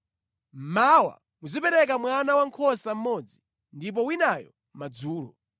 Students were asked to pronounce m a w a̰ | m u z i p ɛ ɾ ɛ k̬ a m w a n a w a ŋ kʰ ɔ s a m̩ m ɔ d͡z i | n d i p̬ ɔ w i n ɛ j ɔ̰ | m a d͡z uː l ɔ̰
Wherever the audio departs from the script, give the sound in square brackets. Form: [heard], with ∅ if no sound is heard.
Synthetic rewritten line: m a w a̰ | m u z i p ɛ ɾ ɛ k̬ a m w a n a w a ŋ kʰ ɔ s a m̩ m ɔ d͡z i | n d i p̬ ɔ w i n [a] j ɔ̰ | m a d͡z uː l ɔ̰